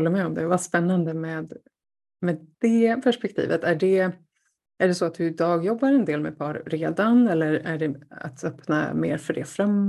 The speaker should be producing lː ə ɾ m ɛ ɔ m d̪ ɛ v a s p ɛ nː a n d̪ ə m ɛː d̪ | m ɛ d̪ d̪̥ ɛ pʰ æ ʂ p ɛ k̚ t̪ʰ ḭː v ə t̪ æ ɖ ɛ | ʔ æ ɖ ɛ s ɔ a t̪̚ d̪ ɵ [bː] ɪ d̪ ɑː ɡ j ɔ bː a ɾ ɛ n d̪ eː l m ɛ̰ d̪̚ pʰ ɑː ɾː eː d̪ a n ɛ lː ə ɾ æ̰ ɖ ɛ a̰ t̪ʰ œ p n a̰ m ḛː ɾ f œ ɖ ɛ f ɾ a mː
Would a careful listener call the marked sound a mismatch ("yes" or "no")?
yes